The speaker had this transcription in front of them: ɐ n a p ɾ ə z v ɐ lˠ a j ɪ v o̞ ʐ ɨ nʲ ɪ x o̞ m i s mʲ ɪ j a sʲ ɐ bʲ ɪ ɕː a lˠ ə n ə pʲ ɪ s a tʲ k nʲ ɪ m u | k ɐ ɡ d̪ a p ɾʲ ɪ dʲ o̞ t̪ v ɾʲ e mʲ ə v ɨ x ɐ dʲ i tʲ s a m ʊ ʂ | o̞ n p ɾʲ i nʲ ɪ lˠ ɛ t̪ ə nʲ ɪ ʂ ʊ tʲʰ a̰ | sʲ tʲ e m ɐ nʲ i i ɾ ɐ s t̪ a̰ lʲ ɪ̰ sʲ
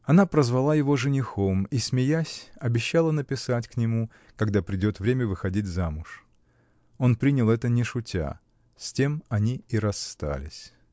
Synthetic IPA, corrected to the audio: ɐ n a p ɾ ə z v ɐ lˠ a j ɪ v o̞ ʐ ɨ nʲ ɪ x o̞ m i s mʲ ɪ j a sʲ ɐ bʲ ɪ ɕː a lˠ ə n ə pʲ ɪ s a tʲ k nʲ ɪ m u | k ɐ ɡ d̪ a p ɾʲ ɪ dʲ o̞ t̪ v ɾʲ e mʲ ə v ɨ x ɐ dʲ i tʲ z a m ʊ ʂ | o̞ n p ɾʲ i nʲ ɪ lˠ ɛ t̪ ə nʲ ɪ ʂ ʊ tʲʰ a̰ | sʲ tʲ e m ɐ nʲ i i ɾ ɐ s t̪ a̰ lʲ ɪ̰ sʲ